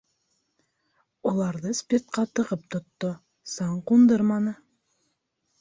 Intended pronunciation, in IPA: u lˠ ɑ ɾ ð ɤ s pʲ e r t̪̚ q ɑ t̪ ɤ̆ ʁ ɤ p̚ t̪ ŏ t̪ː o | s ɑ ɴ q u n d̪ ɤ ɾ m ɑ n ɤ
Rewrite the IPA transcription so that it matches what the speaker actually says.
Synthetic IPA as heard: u lˠ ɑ ɾ ð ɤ s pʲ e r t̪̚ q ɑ t̪ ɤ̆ ʁ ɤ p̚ t̪ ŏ t̪ː o | s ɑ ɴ q u n d̪ ɤ ɾ m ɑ n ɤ

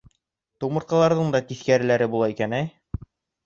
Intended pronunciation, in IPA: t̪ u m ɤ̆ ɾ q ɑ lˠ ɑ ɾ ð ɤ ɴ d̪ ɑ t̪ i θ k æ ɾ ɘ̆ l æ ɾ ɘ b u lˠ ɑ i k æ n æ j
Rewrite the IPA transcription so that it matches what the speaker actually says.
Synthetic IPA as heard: t̪ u m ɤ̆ ɾ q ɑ lˠ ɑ ɾ ð ɤ ɴ d̪ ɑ t̪ i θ k æ ɾ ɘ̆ l æ ɾ ɘ b u lˠ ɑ i k æ n æ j

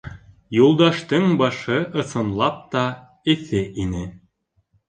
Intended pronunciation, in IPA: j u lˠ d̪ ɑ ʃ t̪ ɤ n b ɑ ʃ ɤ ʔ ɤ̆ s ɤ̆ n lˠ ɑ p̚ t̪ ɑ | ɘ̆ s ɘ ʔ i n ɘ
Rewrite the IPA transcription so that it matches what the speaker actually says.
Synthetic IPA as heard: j u lˠ d̪ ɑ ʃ t̪ ɤ ɴ b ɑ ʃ ɤ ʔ ɤ̆ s ɤ̆ n lˠ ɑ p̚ t̪ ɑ | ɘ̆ θ ɘ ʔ i n ɘ

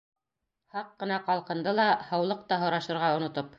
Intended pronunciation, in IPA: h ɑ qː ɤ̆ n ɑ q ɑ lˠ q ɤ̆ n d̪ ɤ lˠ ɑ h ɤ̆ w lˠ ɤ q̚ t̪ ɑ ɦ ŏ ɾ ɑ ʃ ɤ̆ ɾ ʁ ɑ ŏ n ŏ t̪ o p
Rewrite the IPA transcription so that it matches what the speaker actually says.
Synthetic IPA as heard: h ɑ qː ɤ̆ n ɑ q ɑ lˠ q ɤ̆ n d̪ ɤ lˠ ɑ h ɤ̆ w lˠ ɤ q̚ t̪ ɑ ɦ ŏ ɾ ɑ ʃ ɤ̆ ɾ ʁ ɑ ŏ n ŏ t̪ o p

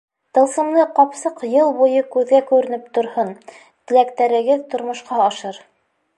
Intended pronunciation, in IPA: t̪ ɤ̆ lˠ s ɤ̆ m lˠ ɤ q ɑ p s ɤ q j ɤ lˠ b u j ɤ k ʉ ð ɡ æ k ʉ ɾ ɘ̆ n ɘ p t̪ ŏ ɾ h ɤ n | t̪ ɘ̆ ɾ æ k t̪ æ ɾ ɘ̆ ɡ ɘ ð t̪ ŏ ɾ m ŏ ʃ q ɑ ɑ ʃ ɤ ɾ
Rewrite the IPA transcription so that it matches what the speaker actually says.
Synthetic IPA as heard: t̪ ɤ̆ lˠ s ɤ̆ m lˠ ɤ q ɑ p s ɤ q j ɤ lˠ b u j ɤ k ʉ ð ɡ æ k ʉ ɾ ɘ̆ n ɘ p t̪ ŏ ɾ h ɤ n | t̪ ɘ̆ l æ k t̪ æ ɾ ɘ̆ ɡ ɘ ð t̪ ŏ ɾ m ŏ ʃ q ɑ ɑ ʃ ɤ ɾ

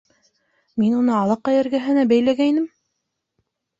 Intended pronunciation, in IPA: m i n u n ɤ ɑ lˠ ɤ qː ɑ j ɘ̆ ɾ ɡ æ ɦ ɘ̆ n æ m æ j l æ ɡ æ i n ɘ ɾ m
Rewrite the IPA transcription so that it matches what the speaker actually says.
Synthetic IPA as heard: m i n u n ɤ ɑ lˠ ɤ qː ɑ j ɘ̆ ɾ ɡ æ ɦ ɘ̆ n æ b æ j l æ ɡ æ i n ɘ m

